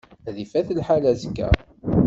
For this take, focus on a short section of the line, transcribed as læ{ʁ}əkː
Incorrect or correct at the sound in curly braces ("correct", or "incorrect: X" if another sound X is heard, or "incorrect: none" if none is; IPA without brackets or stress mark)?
incorrect: z